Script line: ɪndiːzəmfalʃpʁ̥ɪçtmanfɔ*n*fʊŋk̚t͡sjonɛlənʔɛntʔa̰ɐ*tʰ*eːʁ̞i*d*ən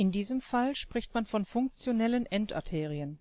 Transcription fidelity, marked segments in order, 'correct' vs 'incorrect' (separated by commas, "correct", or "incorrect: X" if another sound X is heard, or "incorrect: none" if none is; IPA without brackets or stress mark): correct, correct, incorrect: none